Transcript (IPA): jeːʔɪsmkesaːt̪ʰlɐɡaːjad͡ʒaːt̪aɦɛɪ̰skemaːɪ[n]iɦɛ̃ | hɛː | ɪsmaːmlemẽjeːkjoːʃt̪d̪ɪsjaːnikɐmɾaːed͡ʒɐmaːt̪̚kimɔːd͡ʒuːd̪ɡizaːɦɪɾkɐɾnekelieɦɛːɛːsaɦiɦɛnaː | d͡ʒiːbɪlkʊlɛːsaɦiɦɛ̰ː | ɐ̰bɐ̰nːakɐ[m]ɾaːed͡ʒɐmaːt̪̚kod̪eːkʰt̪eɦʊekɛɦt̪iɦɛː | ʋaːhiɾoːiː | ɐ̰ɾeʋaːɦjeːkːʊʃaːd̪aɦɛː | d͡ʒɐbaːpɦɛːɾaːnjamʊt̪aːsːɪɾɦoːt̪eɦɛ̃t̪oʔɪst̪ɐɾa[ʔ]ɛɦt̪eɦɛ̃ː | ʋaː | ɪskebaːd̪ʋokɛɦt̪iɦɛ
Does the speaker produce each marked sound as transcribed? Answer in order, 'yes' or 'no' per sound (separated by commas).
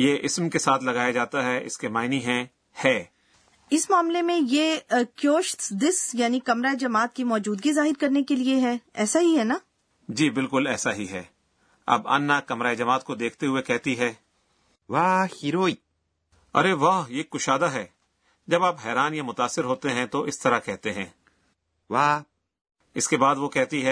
yes, yes, no